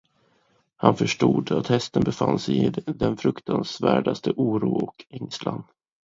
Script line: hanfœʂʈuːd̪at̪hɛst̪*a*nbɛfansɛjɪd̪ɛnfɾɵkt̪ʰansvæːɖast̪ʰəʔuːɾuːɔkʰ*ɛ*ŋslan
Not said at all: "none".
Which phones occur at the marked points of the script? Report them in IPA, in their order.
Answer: ə, ɛ

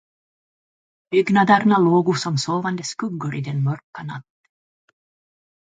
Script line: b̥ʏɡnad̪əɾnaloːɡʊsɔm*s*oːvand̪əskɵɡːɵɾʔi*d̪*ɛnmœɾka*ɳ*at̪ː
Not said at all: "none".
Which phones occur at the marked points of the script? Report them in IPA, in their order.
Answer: s, d̪, n

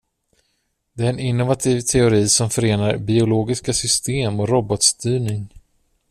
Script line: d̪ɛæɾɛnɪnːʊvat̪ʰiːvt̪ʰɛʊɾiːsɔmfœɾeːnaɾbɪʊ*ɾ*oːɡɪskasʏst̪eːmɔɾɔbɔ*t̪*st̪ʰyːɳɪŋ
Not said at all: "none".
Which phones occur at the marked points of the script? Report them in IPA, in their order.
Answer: l, t̪

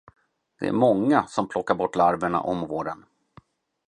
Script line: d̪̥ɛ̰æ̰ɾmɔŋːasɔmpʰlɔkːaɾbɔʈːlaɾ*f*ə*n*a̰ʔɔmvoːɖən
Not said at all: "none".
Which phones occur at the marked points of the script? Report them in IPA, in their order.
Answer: v, ɳ

